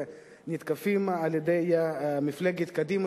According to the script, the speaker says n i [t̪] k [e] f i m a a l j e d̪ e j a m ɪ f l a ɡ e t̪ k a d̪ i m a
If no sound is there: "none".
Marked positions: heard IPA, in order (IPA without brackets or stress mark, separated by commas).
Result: t̪, a